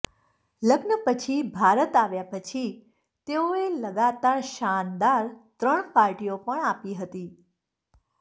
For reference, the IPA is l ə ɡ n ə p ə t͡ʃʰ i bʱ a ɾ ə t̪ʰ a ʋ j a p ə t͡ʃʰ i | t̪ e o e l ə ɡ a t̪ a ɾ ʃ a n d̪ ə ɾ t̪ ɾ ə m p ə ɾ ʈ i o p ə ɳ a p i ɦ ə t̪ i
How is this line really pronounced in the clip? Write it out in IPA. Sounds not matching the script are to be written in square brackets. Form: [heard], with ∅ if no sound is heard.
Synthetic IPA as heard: l ə ɡ n ə p ə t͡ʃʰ i bʱ a ɾ ə [t̪] a ʋ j a p ə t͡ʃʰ i | t̪ e o e l ə ɡ a t̪ a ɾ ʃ a n d̪ [a] ɾ t̪ ɾ ə [ɳ] p [a] ɾ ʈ i o p ə ɳ a p i ɦ ə t̪ i